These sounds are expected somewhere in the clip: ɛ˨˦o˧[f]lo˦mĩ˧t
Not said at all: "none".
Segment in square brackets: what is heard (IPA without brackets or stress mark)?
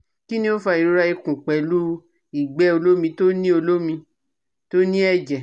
none